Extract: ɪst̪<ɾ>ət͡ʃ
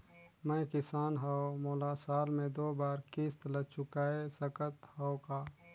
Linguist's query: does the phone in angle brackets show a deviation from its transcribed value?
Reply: yes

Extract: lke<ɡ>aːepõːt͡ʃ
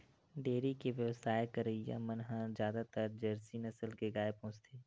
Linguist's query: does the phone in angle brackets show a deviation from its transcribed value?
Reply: no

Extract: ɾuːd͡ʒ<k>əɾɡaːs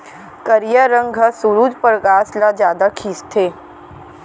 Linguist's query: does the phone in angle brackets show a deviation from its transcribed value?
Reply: yes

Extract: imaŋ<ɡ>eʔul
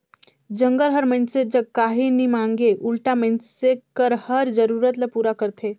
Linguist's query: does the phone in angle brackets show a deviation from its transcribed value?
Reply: no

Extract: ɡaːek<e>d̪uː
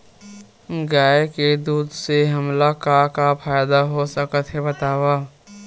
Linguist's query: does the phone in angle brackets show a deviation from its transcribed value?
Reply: no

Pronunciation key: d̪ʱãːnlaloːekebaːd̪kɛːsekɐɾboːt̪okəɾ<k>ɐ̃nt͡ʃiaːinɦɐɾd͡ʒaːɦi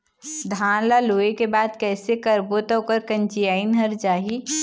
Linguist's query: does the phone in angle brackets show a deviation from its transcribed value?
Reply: no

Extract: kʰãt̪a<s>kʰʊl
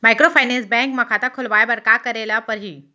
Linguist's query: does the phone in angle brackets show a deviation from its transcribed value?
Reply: yes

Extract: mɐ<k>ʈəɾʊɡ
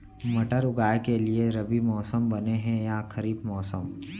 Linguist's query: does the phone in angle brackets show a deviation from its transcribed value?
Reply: yes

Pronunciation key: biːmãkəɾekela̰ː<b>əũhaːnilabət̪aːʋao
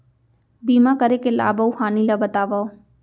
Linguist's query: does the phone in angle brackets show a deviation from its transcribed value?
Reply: no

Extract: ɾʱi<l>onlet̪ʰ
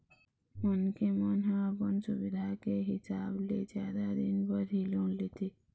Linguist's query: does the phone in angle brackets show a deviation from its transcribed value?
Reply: no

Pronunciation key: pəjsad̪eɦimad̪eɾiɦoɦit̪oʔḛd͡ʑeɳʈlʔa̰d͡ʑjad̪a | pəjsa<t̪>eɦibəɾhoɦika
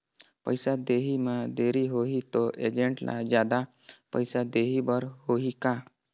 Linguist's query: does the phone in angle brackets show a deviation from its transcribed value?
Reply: yes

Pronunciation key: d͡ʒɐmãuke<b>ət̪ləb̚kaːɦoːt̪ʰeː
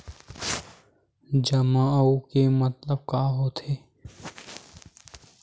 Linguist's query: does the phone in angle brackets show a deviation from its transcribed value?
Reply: yes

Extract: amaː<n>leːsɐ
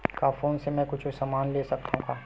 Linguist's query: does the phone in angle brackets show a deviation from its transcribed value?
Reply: no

